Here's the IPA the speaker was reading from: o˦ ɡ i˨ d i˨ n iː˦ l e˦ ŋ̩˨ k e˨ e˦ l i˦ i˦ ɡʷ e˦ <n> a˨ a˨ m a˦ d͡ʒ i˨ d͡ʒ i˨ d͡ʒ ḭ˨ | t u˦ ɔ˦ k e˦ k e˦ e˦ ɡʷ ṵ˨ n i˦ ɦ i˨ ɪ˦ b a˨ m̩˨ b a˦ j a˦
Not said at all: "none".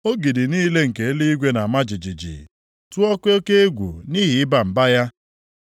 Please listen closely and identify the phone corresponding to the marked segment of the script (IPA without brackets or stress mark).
n